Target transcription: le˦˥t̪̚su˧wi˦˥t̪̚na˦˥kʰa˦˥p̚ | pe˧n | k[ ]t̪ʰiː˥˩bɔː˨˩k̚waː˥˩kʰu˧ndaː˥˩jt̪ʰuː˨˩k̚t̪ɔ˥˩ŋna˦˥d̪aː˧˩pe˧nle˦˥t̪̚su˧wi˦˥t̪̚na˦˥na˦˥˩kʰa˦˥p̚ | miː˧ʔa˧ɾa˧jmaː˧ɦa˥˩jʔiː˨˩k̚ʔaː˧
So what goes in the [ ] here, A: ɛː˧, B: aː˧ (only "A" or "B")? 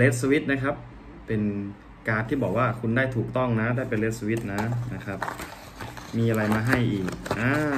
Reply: B